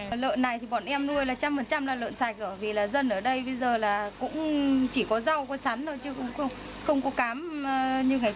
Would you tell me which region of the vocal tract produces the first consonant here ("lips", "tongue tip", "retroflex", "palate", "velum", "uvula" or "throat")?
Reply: tongue tip